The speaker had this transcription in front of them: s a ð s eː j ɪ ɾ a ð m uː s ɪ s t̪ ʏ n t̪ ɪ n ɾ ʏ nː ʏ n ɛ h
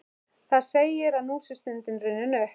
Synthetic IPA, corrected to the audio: θ a ð s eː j ɪ ɾ a ð n uː s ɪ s t̪ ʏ n t̪ ɪ n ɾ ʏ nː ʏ n œ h